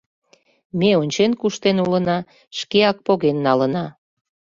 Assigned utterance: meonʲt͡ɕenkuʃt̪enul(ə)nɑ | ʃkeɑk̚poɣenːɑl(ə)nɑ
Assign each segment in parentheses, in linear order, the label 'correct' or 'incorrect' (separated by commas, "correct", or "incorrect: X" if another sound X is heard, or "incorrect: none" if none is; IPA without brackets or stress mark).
correct, correct